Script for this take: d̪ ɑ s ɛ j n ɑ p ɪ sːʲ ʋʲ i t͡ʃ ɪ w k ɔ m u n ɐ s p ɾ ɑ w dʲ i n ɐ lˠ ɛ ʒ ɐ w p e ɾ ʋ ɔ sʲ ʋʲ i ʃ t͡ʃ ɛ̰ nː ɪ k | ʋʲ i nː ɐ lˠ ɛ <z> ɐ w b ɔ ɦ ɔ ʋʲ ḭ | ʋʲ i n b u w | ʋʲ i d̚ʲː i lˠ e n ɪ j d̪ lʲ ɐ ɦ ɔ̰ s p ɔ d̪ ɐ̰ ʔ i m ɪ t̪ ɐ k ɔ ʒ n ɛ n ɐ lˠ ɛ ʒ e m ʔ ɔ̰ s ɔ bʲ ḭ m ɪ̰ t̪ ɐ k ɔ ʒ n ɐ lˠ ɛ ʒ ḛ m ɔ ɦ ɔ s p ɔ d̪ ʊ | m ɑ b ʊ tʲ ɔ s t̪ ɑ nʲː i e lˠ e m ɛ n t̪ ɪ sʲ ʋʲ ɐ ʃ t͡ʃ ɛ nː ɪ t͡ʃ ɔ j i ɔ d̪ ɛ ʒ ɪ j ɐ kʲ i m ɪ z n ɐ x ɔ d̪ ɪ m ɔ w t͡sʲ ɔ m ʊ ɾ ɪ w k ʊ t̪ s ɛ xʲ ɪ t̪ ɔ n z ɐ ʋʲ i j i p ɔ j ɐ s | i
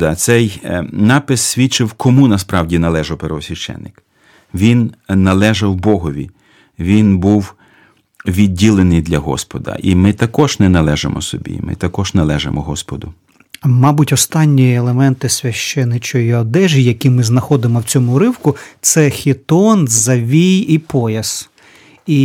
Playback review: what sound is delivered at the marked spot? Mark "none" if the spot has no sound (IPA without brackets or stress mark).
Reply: ʒ